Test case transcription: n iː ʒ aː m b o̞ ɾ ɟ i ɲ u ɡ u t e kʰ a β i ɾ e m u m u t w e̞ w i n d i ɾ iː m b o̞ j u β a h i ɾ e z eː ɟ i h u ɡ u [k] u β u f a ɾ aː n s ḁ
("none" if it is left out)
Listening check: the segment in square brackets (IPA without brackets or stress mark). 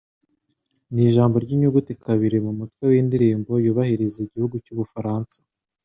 c